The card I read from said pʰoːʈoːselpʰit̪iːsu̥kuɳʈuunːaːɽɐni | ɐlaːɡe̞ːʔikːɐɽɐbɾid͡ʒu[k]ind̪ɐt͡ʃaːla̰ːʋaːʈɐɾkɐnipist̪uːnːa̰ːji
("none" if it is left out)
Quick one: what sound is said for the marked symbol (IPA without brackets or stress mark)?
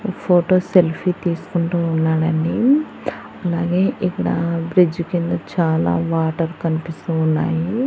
k